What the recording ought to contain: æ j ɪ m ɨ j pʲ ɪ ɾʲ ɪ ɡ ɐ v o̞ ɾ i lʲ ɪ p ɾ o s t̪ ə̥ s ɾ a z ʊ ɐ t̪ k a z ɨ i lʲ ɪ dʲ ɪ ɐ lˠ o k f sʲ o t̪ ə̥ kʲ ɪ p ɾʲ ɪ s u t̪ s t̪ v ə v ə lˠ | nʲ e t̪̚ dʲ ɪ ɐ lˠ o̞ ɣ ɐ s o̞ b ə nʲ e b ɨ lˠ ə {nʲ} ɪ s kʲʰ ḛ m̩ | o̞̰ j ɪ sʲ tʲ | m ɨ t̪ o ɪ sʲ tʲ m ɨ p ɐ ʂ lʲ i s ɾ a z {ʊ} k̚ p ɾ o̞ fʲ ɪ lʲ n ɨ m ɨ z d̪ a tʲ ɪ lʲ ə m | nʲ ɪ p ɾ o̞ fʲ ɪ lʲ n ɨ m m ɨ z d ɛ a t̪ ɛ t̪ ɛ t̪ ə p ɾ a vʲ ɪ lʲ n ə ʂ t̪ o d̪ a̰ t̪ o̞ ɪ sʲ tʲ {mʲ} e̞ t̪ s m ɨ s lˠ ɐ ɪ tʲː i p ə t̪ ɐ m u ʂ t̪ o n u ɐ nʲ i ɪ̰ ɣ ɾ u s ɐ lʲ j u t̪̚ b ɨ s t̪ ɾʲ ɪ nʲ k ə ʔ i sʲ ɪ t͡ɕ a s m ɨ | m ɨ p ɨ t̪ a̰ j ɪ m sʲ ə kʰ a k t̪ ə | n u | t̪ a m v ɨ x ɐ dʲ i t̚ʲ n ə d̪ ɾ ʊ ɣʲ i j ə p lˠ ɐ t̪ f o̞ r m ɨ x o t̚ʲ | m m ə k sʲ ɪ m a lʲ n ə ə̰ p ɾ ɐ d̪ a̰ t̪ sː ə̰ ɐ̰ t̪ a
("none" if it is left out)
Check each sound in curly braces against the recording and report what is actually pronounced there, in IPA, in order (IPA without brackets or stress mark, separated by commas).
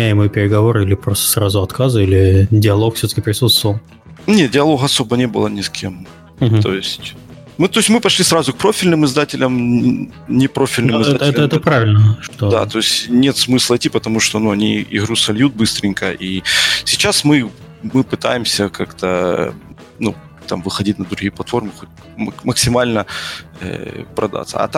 nʲ, ʊ, nʲ